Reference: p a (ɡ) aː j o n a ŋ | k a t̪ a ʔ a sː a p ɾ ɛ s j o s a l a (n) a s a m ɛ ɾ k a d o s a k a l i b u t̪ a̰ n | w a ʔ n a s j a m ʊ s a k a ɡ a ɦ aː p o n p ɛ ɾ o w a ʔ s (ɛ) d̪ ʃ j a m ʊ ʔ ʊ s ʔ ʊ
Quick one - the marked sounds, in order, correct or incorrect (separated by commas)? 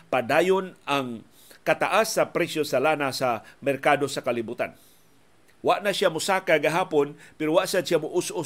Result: incorrect, correct, incorrect